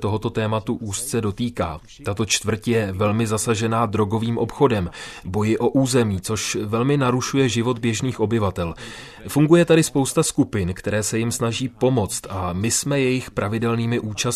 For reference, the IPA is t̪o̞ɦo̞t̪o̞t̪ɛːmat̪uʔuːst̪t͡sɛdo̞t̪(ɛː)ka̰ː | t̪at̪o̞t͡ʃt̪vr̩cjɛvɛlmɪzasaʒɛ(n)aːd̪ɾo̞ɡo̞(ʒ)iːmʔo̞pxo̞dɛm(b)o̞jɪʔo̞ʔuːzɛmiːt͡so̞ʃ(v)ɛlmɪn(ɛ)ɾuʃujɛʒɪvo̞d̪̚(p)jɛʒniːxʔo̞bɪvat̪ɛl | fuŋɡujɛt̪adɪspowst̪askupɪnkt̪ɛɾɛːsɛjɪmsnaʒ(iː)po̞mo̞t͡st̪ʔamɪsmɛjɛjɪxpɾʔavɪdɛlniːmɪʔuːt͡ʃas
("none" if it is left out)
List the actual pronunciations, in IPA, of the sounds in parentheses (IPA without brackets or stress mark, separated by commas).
iː, n, v, b, v, a, b, iː